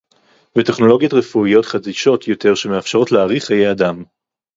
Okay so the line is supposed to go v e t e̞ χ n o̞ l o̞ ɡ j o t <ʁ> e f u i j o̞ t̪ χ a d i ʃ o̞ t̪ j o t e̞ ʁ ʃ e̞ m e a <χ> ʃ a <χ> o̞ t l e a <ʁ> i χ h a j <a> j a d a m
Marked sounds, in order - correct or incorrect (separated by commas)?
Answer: correct, incorrect, incorrect, correct, incorrect